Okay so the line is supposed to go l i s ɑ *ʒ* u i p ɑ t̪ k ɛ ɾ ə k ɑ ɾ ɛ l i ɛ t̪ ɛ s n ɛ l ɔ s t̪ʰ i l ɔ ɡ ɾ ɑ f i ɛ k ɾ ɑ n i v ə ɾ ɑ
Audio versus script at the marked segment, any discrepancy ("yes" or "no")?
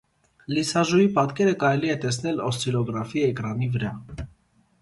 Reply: no